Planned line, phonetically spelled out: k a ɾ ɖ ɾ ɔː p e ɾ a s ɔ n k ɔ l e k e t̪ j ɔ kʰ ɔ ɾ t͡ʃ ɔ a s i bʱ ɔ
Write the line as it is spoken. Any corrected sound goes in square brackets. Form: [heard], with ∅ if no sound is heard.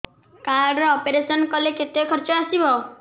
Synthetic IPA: k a ɾ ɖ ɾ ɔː p e ɾ [e] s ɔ n k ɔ l e k e t̪ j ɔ kʰ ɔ ɾ t͡ʃ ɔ a s i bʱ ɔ